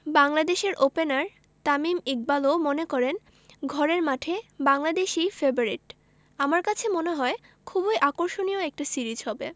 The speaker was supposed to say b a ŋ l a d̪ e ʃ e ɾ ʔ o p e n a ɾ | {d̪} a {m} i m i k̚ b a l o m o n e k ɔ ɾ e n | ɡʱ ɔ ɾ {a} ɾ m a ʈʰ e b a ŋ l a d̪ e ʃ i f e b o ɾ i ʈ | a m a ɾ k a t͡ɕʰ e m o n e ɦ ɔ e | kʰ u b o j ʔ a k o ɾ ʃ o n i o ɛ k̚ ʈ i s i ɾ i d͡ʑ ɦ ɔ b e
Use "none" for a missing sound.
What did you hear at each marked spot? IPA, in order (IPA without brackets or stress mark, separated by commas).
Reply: t̪, m, e